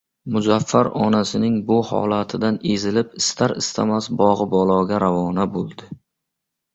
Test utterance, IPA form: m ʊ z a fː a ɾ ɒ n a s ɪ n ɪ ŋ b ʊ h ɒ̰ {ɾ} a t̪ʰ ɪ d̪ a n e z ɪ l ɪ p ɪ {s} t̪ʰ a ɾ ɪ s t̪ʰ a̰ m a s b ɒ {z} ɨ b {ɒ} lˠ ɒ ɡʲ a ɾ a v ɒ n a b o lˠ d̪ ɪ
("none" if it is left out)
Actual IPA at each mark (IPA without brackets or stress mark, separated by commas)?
l, s, ʁ, ɒ